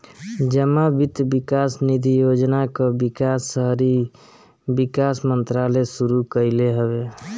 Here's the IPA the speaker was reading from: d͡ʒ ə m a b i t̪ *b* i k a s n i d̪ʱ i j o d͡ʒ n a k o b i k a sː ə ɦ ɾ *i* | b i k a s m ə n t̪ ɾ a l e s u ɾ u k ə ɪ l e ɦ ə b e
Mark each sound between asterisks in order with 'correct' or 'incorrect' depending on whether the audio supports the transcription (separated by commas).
correct, correct